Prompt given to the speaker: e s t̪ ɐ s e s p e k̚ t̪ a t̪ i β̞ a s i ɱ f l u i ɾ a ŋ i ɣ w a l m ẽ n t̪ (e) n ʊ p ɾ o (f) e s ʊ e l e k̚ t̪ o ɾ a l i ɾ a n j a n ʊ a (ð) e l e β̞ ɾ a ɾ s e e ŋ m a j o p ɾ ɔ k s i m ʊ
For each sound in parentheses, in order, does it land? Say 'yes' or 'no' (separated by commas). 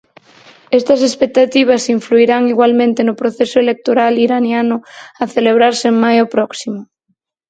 yes, no, no